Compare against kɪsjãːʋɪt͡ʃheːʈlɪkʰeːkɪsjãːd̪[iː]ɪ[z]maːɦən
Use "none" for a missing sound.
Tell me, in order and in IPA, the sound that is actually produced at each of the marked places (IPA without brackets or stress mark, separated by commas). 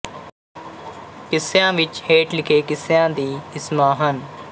iː, s